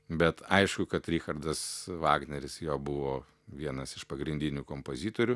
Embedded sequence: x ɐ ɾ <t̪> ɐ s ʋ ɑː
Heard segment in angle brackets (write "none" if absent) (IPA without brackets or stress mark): d̪